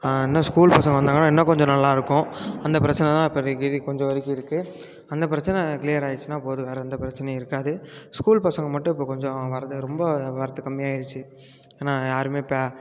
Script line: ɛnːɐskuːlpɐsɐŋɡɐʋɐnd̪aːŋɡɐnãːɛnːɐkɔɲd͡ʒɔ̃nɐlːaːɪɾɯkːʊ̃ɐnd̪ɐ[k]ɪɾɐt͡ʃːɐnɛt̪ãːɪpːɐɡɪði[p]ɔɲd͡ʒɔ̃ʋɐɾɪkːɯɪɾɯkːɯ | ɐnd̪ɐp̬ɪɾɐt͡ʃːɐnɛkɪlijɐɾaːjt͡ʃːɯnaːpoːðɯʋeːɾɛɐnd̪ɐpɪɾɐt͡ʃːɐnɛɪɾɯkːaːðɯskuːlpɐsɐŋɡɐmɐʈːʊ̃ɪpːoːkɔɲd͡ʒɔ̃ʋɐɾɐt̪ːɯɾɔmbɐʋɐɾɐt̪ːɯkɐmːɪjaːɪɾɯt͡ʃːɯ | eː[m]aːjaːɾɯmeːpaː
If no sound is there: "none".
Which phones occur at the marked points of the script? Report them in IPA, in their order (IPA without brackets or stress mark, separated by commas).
p, k, n